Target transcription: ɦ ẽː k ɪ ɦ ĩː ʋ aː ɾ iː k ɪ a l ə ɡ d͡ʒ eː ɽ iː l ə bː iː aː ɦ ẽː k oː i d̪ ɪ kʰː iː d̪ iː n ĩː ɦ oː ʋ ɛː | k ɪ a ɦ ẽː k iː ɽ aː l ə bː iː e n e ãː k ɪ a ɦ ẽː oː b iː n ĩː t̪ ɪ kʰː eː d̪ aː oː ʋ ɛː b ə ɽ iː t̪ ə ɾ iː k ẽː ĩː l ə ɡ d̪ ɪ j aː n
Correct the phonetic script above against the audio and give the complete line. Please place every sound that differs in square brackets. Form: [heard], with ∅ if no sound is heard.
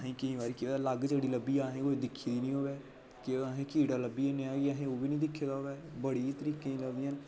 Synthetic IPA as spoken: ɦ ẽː k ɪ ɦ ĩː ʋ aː ɾ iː k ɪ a l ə ɡ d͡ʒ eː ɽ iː l ə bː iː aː ɦ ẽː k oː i d̪ ɪ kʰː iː d̪ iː n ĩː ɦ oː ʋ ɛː | k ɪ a ɦ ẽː k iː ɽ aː l ə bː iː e n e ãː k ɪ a ɦ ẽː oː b iː n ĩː [d̪] ɪ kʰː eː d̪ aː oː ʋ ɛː b ə ɽ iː t̪ ə ɾ iː k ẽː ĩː l ə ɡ d̪ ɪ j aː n